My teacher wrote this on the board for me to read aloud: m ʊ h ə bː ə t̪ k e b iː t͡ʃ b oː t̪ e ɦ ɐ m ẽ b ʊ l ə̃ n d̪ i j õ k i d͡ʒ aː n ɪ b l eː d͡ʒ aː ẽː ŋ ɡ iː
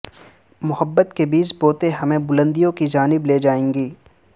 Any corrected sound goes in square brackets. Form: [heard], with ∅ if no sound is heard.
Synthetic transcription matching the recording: m ʊ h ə bː ə t̪ k e b iː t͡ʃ b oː t̪ e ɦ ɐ m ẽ b ʊ l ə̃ n d̪ i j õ k i d͡ʒ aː n ɪ b l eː d͡ʒ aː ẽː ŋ ɡ iː